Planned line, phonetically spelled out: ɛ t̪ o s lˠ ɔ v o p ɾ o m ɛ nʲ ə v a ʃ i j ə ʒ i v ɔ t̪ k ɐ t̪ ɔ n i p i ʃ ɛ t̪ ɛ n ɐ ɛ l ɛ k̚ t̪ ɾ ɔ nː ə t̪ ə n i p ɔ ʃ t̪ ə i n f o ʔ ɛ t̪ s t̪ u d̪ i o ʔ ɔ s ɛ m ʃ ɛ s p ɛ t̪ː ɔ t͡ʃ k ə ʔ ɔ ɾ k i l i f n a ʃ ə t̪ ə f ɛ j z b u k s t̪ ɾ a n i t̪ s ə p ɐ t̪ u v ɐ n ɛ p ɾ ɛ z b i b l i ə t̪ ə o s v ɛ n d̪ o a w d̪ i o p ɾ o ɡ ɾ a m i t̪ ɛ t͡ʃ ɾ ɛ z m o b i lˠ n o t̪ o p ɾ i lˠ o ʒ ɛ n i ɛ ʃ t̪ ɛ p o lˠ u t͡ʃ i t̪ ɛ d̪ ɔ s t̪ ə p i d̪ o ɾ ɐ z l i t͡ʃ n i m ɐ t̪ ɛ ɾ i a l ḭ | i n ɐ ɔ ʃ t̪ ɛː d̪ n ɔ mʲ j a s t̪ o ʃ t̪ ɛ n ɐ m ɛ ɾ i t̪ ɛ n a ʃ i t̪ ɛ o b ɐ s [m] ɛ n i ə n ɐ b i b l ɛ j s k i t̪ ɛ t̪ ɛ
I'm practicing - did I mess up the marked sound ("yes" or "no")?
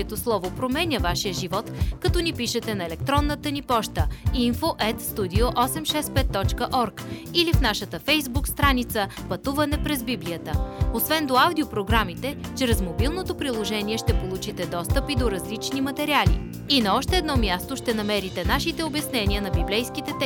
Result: yes